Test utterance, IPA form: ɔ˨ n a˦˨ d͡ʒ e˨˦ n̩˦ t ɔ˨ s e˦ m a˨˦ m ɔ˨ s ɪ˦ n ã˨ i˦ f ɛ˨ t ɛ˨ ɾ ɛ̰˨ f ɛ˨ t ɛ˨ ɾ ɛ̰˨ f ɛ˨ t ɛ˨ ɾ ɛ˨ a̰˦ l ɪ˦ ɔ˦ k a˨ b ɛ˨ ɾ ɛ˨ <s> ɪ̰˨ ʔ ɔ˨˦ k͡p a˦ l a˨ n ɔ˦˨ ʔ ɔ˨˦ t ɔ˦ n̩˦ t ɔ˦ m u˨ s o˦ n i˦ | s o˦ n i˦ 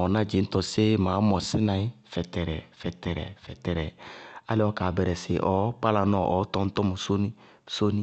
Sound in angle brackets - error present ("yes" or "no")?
no